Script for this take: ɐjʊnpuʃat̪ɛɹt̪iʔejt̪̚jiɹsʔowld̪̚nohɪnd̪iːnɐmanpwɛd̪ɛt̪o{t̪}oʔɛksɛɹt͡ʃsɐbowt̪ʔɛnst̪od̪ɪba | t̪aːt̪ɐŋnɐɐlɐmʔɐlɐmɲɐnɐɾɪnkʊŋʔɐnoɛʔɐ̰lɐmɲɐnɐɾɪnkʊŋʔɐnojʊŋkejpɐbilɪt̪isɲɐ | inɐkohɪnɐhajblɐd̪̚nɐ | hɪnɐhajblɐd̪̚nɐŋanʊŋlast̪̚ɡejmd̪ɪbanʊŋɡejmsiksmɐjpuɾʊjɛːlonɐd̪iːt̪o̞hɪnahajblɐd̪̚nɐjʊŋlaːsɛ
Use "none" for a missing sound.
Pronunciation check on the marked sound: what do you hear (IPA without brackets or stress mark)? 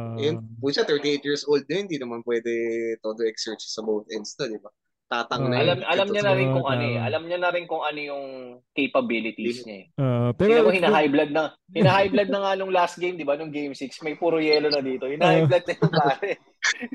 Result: d̪